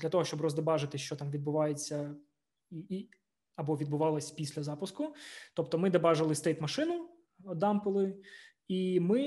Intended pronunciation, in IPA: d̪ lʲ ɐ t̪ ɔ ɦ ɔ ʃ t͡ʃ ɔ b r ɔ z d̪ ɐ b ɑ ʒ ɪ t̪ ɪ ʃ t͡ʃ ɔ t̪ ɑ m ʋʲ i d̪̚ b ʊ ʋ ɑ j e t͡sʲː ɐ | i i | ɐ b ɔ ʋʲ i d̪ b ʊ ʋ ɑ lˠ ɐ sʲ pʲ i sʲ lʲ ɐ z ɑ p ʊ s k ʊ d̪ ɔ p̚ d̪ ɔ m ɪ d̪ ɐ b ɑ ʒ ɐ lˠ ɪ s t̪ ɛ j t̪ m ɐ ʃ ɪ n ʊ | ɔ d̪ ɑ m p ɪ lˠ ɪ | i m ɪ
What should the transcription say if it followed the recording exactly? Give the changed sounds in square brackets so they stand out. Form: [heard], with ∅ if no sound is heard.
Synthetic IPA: d̪ lʲ ɐ t̪ ɔ ɦ ɔ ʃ t͡ʃ ɔ b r ɔ z d̪ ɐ b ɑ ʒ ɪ t̪ ɪ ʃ t͡ʃ ɔ t̪ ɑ m ʋʲ i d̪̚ b ʊ ʋ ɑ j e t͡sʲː ɐ | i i | ɐ b ɔ ʋʲ i d̪ b ʊ ʋ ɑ lˠ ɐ sʲ pʲ i sʲ lʲ ɐ z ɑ p ʊ s k ʊ [t̪] ɔ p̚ [t̪] ɔ m ɪ d̪ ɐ b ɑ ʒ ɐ lˠ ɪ s t̪ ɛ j t̪ m ɐ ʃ ɪ n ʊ | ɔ d̪ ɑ m p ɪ lˠ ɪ | i m ɪ